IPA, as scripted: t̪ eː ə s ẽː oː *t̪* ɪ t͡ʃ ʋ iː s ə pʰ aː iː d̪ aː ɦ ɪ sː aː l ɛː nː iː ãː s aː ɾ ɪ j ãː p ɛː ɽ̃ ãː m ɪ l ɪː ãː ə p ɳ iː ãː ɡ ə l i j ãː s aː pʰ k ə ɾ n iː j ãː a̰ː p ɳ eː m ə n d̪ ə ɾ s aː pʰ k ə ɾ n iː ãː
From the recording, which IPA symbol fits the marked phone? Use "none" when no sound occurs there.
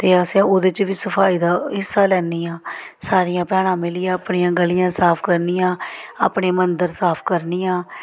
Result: d̪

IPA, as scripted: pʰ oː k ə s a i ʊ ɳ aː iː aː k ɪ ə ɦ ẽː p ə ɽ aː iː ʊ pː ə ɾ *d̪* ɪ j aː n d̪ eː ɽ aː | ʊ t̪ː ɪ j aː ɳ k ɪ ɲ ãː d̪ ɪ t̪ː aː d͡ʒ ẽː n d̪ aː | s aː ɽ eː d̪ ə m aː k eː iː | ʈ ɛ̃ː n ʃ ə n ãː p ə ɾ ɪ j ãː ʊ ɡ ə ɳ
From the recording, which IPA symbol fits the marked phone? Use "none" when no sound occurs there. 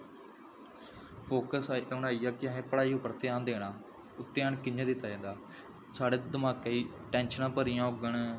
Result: t̪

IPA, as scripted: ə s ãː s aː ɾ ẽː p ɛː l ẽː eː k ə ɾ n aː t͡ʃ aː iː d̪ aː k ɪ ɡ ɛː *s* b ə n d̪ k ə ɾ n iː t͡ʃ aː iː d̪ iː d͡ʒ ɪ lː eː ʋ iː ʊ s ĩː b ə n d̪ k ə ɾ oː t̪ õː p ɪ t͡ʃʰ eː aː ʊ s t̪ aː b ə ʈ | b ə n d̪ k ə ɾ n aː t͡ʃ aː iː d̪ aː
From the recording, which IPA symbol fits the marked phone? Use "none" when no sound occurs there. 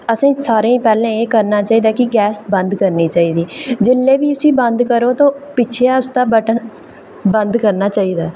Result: s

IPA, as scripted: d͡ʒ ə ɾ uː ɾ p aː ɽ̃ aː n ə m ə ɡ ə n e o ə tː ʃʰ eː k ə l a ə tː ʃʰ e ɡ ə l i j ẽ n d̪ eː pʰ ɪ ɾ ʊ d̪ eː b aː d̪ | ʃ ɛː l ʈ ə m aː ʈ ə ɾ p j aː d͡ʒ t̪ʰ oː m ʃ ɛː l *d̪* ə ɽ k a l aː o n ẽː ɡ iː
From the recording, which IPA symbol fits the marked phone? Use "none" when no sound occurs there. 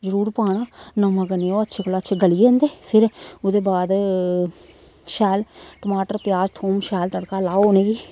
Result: t̪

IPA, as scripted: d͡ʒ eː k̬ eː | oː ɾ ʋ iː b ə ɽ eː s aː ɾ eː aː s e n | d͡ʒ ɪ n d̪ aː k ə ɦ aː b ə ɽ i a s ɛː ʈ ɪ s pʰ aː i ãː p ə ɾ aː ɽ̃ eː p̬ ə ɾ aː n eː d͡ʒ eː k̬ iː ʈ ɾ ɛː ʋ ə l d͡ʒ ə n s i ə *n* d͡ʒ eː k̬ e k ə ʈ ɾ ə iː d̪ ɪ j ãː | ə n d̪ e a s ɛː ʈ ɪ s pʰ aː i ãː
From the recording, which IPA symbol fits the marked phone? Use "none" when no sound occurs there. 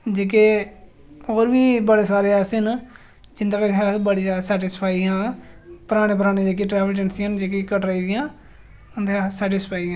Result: n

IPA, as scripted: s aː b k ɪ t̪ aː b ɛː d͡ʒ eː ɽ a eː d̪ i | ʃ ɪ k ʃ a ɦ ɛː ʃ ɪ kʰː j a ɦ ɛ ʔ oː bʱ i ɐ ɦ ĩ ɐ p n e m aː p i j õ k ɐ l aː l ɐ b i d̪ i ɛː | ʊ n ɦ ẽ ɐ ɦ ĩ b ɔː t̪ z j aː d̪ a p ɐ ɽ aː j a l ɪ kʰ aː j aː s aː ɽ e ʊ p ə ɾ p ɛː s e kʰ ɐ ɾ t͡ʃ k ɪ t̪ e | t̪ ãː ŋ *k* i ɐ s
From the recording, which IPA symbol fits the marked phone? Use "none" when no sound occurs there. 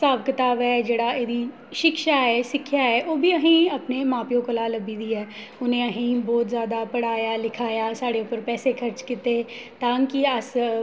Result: k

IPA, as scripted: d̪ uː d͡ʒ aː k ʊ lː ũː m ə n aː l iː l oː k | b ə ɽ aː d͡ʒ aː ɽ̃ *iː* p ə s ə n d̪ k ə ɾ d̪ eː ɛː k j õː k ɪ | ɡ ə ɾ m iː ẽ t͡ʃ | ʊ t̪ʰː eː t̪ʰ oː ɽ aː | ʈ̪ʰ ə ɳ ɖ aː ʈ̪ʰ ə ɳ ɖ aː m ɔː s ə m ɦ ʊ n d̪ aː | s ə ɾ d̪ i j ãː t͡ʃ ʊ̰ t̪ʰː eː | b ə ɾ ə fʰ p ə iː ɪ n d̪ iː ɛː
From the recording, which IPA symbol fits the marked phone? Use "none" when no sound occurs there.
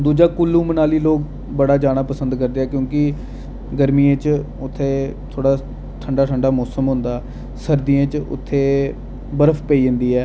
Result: aː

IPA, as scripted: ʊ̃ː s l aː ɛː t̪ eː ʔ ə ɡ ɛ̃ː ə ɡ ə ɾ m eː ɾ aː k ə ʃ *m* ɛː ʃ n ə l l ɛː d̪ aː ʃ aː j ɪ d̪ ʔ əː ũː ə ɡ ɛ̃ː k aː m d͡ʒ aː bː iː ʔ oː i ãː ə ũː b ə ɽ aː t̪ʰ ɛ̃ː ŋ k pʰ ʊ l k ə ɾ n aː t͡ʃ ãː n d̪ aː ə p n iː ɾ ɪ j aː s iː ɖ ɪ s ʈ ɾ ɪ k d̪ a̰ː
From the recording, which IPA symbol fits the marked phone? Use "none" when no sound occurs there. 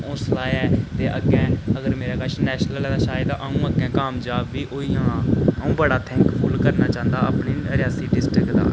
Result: n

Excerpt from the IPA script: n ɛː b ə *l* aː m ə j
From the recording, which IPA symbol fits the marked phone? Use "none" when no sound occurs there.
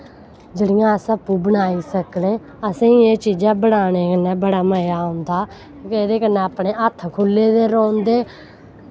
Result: ɽ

